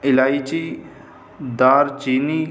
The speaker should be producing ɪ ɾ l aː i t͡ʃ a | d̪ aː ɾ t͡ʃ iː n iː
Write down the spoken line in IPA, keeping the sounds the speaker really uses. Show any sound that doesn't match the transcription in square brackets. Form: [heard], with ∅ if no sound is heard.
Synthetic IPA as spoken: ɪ [∅] l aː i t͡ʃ [i] | d̪ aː ɾ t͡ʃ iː n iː